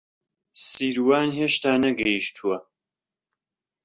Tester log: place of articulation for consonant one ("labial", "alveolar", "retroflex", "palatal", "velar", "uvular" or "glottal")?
alveolar